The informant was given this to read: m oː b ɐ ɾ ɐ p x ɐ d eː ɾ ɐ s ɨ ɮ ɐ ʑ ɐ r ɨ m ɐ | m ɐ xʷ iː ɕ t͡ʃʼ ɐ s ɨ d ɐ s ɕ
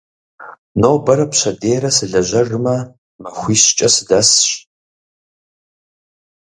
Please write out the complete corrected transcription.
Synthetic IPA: n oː b ɐ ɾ ɐ p ɕ ɐ d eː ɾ ɐ s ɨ ɮ ɐ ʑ ɐ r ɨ m ɐ | m ɐ xʷ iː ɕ t͡ʃʼ ɐ s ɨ d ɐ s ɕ